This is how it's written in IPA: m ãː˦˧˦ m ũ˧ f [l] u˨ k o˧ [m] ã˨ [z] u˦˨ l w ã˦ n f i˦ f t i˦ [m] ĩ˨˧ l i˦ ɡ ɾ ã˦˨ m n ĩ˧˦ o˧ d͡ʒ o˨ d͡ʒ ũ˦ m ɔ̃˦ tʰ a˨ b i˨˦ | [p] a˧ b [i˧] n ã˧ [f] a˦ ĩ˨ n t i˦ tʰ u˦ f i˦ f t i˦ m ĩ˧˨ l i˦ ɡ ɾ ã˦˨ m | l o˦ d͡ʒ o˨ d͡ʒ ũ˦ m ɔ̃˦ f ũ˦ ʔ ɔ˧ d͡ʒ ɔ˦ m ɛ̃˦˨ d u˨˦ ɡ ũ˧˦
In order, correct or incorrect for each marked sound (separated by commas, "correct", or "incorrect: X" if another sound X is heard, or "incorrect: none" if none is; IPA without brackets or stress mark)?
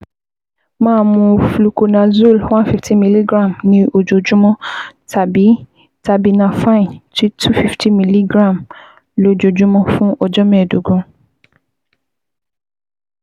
correct, incorrect: n, correct, correct, incorrect: t, correct, correct